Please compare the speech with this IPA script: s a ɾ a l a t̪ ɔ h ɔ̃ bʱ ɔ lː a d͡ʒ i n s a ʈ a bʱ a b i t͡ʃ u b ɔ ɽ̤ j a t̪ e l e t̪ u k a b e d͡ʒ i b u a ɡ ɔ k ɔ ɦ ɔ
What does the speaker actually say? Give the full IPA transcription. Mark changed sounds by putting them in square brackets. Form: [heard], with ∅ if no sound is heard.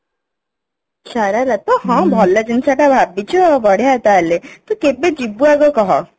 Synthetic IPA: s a ɾ a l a t̪ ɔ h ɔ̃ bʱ ɔ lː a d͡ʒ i n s a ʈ a bʱ a b i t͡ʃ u b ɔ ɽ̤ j a t̪ [a] l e t̪ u k [e] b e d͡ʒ i b u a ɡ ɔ k ɔ ɦ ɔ